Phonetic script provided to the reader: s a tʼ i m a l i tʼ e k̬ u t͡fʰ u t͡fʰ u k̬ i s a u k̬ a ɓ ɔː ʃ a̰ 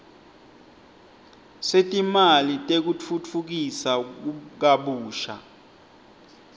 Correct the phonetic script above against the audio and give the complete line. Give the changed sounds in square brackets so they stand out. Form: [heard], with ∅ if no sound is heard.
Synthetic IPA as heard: s [e] tʼ i m a l i tʼ e k̬ u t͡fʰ u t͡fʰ u k̬ i s a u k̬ a ɓ [uː] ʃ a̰